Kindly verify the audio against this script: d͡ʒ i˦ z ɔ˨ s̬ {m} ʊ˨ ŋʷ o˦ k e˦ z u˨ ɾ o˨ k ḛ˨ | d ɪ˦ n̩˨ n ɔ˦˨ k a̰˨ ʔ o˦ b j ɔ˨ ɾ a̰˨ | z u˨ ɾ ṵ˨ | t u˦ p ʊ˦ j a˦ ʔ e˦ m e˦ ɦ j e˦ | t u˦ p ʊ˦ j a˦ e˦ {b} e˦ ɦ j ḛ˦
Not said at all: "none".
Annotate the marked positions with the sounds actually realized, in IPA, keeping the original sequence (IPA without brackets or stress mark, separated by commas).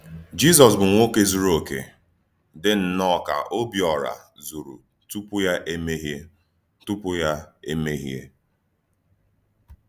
b, m